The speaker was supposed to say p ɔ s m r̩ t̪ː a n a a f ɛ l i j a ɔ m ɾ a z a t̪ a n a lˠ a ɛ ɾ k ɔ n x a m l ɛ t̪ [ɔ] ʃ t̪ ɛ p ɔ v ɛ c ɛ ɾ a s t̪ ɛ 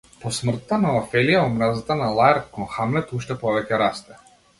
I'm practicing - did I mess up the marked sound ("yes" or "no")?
yes